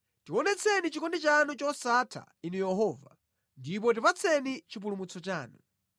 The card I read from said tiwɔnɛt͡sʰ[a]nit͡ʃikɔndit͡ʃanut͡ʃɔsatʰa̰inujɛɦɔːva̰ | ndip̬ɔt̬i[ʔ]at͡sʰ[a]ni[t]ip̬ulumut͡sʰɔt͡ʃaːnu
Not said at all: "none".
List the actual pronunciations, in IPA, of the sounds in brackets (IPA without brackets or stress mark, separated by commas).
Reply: ɛ, p, ɛ, t͡ʃ